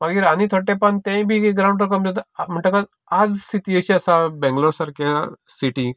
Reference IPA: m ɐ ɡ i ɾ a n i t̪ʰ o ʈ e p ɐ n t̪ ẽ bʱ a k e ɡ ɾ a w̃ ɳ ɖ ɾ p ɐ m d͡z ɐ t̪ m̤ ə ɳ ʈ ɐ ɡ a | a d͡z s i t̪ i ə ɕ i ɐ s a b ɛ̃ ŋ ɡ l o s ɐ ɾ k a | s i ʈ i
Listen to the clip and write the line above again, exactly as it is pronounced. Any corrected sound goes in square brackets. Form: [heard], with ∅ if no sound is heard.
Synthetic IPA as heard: m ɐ ɡ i ɾ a n i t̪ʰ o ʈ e p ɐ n t̪ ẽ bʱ [i] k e ɡ ɾ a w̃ ɳ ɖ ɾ [k] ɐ m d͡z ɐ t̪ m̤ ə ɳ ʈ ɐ [k] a | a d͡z s i t̪ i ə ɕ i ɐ s a b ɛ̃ ŋ ɡ l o s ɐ ɾ k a | s i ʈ i